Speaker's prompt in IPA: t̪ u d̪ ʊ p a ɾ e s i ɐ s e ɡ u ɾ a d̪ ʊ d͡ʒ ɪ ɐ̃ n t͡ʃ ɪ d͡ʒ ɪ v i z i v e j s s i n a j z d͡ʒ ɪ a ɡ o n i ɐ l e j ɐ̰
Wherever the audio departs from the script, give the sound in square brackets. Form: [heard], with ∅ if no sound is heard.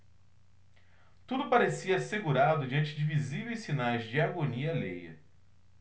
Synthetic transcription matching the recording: t̪ u d̪ ʊ p a ɾ e s i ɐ s e ɡ u ɾ a d̪ ʊ d͡ʒ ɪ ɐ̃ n t͡ʃ ɪ d͡ʒ ɪ v i z i v e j s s i n a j z d͡ʒ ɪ a ɡ o n i ɐ l e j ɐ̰